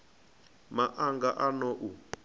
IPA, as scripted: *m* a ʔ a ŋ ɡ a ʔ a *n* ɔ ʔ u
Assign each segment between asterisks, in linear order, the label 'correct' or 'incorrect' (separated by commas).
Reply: correct, correct